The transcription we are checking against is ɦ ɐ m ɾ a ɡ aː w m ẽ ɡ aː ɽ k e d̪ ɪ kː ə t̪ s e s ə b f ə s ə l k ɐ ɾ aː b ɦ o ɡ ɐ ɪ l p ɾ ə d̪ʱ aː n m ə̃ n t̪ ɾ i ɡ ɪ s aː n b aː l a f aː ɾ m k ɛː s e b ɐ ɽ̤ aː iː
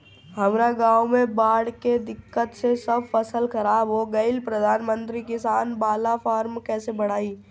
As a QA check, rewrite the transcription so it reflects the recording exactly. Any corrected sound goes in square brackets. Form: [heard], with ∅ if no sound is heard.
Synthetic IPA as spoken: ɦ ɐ m ɾ a ɡ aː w m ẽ [b] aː ɽ k e d̪ ɪ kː ə t̪ s e s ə b f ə s ə l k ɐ ɾ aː b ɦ o ɡ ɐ ɪ l p ɾ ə d̪ʱ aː n m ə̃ n t̪ ɾ i [k] ɪ s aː n b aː l a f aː ɾ m k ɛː s e b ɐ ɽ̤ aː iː